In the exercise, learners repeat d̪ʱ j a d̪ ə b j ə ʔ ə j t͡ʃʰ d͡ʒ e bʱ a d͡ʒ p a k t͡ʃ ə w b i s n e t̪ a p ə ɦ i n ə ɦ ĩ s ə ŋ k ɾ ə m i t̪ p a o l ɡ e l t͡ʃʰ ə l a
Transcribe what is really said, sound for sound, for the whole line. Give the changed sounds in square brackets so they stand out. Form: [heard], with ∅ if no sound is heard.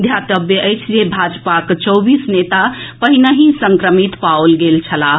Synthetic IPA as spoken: d̪ʱ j a [t̪] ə b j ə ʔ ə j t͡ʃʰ d͡ʒ e bʱ a d͡ʒ p a k t͡ʃ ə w b i s n e t̪ a p ə ɦ i n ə ɦ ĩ s ə ŋ k ɾ ə m i t̪ p a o l ɡ e l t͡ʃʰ ə l a

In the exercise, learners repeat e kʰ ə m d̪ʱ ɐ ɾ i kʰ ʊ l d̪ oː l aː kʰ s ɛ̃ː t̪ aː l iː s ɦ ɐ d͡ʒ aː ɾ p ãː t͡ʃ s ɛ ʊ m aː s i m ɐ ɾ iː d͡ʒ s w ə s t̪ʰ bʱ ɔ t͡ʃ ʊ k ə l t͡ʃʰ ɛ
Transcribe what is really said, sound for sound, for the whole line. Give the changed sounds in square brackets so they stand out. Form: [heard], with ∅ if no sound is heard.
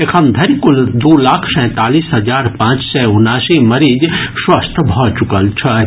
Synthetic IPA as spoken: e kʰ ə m d̪ʱ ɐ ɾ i [k] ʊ l d̪ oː l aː kʰ s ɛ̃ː t̪ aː l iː s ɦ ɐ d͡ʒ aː ɾ p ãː t͡ʃ s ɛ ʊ [n] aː s i m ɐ ɾ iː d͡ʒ s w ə s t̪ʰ bʱ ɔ t͡ʃ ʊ k ə l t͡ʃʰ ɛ

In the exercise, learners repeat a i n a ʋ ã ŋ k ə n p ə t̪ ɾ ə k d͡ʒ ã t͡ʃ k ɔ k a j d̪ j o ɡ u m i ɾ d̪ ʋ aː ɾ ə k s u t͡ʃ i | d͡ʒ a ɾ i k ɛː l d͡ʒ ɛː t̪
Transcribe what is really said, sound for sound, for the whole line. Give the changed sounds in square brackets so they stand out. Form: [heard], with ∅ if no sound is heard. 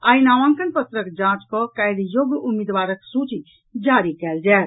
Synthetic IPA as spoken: a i n a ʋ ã ŋ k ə n p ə t̪ ɾ ə k d͡ʒ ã t͡ʃ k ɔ k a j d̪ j o ɡ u m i [∅] d̪ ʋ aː ɾ ə k s u t͡ʃ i | d͡ʒ a ɾ i k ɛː l d͡ʒ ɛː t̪

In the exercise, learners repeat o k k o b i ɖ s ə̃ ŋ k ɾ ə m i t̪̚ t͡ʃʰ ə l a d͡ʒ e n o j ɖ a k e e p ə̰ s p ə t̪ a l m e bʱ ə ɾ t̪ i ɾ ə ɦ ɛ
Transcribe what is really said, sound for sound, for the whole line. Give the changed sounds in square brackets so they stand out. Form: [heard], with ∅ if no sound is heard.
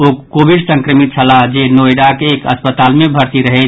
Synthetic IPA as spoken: o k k o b i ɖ s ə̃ ŋ k ɾ ə m i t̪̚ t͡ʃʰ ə l a d͡ʒ e n o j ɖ a k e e [k] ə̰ s p ə t̪ a l m e bʱ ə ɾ t̪ i ɾ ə ɦ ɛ

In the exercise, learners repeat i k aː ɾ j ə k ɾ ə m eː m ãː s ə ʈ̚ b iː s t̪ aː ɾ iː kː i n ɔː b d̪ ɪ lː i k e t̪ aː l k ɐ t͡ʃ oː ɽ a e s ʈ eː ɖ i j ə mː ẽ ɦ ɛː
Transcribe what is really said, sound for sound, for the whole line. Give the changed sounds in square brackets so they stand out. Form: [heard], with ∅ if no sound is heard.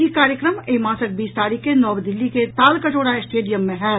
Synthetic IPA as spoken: i k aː ɾ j ə k ɾ ə m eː m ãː s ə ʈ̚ b iː s t̪ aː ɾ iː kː [e] n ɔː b d̪ ɪ lː i k e t̪ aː l k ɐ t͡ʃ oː ɽ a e s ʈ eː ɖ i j ə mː ẽ ɦ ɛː

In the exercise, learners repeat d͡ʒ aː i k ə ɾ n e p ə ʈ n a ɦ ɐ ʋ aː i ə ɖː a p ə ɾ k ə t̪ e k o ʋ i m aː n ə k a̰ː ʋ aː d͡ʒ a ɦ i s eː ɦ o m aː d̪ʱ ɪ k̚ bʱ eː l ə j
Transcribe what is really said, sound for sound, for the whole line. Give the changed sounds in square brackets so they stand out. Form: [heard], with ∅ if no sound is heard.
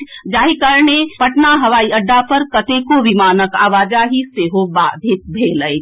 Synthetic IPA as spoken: d͡ʒ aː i k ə ɾ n e p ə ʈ n a ɦ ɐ ʋ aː i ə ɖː a p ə ɾ k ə t̪ e k o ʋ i m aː n ə k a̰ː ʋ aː d͡ʒ a ɦ i s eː ɦ o [b] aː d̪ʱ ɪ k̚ bʱ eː l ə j

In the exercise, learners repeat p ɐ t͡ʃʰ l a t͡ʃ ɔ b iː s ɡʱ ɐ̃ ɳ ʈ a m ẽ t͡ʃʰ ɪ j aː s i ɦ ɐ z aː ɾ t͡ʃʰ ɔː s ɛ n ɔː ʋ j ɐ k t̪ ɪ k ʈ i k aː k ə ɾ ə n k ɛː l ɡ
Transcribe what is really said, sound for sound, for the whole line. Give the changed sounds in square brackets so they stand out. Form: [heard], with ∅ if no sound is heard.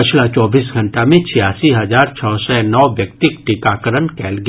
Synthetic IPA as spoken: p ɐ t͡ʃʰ l a t͡ʃ [ɔː] b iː s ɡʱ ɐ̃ ɳ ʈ a m ẽ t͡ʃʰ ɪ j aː s i ɦ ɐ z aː ɾ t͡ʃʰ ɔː s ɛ n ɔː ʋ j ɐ k t̪ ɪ k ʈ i k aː k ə ɾ ə n k ɛː l ɡ

